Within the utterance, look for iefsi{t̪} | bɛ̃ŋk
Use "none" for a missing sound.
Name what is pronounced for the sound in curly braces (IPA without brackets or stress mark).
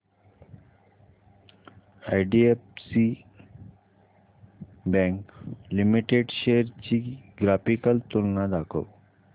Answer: none